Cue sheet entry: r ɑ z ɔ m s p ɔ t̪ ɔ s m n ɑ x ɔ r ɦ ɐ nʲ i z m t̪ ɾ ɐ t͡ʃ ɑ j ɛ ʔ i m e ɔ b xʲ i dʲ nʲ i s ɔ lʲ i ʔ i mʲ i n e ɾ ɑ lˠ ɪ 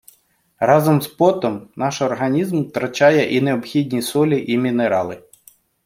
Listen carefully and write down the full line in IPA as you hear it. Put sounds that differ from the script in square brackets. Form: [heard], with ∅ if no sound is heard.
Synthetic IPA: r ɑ z ɔ m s p ɔ t̪ ɔ [∅] m n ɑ [ʃ] ɔ r ɦ ɐ nʲ i z m t̪ ɾ ɐ t͡ʃ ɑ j ɛ ʔ i [n] e ɔ b xʲ i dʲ nʲ i s ɔ lʲ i ʔ i mʲ i n e ɾ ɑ lˠ ɪ